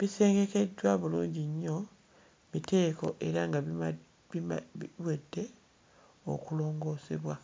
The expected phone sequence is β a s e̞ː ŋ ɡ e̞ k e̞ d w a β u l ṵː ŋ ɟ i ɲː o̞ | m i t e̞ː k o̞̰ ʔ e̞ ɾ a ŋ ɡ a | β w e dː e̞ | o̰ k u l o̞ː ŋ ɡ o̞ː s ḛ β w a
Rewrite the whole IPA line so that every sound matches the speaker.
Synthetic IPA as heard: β i s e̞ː ŋ ɡ e̞ k e̞ d w a β u l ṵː ɲ ɟ i ɲː o̞ | m i t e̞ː k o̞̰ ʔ e̞ ɾ a ŋ ɡ a | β w e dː e̞ | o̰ k u l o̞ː ŋ ɡ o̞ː s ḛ β w a